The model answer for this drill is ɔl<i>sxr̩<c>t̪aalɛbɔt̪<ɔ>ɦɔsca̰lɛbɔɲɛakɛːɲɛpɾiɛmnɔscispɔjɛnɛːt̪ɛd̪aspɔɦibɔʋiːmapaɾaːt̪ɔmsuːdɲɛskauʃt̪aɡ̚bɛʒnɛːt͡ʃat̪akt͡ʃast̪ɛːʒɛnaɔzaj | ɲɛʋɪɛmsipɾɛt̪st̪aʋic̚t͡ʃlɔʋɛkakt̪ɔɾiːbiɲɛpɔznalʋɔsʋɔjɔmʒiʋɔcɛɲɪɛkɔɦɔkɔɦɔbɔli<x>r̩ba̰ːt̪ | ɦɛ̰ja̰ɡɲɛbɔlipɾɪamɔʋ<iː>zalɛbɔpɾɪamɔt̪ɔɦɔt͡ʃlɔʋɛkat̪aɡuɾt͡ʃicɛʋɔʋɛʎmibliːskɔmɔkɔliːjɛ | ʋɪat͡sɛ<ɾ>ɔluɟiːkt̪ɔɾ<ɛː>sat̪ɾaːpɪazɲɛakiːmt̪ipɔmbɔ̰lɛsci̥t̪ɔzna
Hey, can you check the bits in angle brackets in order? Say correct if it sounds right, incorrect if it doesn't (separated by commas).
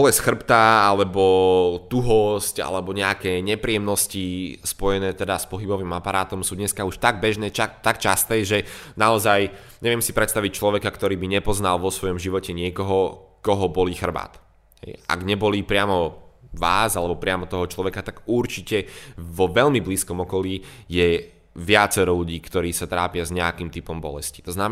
incorrect, incorrect, incorrect, correct, incorrect, correct, incorrect